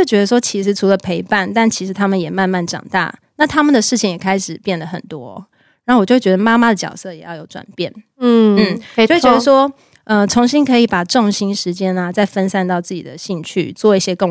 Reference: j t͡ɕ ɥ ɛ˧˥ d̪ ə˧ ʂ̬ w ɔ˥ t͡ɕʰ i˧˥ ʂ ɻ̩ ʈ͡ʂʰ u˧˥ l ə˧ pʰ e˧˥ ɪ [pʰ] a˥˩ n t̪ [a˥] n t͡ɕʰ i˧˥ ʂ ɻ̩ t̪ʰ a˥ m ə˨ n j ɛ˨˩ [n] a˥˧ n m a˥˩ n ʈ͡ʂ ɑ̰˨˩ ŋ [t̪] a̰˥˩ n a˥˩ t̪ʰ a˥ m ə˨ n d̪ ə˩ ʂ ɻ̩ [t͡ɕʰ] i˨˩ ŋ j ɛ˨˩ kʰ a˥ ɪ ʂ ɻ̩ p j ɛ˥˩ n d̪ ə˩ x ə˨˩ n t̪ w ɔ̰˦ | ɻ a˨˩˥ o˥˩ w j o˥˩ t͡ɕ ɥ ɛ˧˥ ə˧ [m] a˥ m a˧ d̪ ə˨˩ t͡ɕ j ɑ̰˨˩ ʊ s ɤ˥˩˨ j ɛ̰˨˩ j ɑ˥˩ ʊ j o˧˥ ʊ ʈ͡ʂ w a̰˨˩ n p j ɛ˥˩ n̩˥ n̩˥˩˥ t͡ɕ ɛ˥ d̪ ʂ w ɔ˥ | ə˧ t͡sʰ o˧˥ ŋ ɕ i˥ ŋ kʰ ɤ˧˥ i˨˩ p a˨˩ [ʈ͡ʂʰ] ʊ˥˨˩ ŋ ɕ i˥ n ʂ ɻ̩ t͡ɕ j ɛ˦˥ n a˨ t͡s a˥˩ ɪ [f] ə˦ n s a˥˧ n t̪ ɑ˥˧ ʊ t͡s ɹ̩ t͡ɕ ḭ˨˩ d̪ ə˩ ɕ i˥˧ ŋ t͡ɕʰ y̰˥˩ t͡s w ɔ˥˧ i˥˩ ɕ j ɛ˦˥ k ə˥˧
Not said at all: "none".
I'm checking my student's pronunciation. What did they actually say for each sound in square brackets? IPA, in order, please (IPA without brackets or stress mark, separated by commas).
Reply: p, a˥˩, m, t̪, t͡ɕʰ, m, ʈ͡ʂ, f